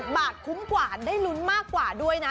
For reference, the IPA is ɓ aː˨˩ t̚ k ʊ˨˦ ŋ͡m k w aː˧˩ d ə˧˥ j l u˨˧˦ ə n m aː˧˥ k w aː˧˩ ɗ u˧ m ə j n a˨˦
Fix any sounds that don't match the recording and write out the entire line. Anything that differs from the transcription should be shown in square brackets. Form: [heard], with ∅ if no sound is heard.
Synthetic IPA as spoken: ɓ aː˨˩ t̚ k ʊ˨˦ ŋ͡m k w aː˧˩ [ɗ] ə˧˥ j l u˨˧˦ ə n m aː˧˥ k w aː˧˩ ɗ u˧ [∅] ə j n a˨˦